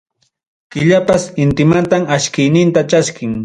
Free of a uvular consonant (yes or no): yes